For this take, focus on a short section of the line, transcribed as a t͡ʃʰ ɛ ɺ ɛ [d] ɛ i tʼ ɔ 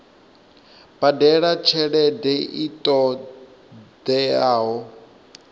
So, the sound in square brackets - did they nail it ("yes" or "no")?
yes